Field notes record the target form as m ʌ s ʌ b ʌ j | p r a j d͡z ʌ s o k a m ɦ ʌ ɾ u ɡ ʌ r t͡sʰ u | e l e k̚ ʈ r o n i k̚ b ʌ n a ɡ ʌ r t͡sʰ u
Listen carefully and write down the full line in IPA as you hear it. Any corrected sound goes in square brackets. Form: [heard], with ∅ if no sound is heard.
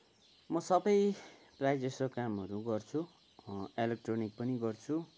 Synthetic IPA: m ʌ s ʌ b ʌ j | p r a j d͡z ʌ s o k a m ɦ ʌ ɾ u ɡ ʌ r t͡sʰ u | e l e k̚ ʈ r o n i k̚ [p] ʌ n [i] ɡ ʌ r t͡sʰ u